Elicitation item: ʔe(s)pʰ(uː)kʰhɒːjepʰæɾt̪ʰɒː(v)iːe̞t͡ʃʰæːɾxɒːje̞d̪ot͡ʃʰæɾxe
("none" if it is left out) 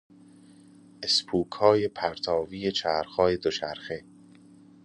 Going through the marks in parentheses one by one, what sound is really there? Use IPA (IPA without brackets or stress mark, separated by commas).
s, uː, v